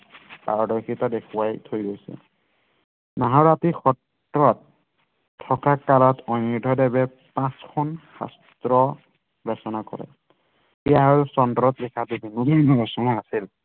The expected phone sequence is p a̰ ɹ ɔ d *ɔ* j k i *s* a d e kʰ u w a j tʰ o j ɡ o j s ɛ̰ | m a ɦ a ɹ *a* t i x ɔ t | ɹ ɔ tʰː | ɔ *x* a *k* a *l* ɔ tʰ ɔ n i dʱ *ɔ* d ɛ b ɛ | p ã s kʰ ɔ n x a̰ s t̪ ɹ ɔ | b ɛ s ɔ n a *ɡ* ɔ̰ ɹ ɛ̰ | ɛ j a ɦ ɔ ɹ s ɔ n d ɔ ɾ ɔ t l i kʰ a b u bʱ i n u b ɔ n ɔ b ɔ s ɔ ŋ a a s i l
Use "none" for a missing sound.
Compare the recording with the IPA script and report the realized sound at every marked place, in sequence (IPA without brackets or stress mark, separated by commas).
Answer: ɔ, t, a, k, k, l, ɔ, k